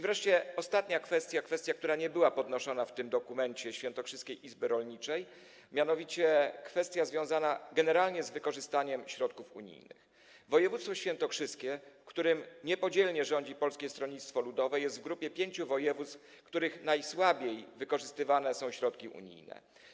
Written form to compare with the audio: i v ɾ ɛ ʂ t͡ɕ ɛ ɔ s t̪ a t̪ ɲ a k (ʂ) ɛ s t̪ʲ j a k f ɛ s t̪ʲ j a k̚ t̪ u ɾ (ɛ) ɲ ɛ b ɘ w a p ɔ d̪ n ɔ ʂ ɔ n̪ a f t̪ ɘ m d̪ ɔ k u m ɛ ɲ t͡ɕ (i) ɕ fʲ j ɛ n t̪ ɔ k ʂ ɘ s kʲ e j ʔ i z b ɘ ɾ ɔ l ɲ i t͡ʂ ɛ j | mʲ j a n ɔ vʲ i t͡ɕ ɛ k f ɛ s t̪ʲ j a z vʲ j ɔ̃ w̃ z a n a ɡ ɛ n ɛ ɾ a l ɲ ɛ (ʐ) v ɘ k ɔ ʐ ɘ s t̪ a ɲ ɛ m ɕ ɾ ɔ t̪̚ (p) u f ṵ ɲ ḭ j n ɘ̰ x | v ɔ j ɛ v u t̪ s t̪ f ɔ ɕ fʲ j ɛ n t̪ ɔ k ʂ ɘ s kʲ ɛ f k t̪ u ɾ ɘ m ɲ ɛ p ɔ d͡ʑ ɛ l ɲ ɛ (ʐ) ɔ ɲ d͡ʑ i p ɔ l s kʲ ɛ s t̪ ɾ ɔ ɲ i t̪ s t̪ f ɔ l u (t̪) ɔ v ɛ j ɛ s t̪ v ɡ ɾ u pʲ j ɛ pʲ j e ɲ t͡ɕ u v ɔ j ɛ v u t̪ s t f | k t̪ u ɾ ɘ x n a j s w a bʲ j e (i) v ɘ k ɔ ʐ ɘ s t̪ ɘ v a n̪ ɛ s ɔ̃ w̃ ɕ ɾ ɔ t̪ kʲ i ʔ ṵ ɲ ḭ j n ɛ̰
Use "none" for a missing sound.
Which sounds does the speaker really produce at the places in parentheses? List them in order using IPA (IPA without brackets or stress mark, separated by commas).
f, a, ɛ, z, k, ʐ, d̪, j